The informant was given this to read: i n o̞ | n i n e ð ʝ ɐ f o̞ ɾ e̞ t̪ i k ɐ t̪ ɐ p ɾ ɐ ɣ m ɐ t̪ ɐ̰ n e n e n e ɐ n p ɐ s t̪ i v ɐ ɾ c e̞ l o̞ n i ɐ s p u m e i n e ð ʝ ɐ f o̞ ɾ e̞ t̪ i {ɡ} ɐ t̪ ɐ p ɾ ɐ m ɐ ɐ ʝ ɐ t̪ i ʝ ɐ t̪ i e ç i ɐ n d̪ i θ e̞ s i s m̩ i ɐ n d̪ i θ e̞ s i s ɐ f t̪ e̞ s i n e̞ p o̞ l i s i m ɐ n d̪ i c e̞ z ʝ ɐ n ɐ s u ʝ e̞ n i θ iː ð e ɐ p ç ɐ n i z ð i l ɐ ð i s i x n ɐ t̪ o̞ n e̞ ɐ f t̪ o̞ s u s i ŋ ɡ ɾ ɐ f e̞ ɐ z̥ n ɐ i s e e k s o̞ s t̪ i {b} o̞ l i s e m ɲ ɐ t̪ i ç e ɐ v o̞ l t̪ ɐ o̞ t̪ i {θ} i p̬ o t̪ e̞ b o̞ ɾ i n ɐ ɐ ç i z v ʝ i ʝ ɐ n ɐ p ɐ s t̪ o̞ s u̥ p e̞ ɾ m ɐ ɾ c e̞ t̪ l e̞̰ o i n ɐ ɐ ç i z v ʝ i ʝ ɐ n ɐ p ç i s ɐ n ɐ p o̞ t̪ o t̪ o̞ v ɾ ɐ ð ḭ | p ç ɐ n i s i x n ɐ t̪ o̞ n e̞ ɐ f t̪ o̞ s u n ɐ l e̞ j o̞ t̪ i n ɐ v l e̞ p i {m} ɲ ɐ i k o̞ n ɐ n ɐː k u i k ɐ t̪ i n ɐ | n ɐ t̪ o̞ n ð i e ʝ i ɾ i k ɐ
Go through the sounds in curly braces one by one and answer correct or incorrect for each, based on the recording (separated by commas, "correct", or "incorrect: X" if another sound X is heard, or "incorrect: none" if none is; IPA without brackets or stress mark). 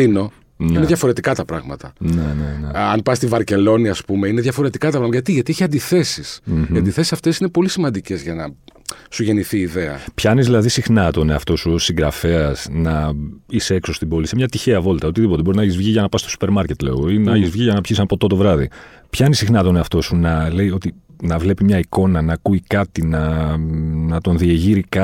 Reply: incorrect: k, correct, incorrect: ð, correct